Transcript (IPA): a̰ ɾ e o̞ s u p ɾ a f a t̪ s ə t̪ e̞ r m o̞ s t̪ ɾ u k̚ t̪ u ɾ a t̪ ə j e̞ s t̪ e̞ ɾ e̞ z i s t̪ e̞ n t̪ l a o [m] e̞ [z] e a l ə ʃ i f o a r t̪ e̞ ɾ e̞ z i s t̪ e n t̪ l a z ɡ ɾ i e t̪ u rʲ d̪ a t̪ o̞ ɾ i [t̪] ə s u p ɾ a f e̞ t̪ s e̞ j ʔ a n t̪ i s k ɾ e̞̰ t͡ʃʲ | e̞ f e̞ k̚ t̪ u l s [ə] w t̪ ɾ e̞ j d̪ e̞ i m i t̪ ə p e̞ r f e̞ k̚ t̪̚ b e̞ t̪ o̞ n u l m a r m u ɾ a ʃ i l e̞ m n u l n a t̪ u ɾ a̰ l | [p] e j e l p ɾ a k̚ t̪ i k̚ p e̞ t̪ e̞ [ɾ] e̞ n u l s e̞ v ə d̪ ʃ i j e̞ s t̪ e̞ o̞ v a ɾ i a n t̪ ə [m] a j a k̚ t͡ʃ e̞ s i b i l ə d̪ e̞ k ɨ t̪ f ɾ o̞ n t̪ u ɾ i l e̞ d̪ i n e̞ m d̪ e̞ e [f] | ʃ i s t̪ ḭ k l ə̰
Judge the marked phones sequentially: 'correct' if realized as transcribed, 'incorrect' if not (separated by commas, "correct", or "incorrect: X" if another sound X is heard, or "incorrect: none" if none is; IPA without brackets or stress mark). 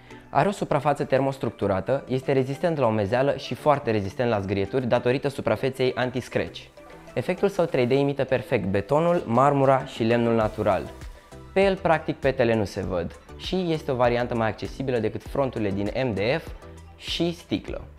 correct, correct, correct, correct, correct, incorrect: l, correct, correct